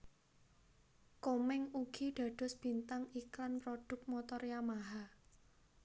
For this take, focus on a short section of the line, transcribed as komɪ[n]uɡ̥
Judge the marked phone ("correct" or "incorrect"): incorrect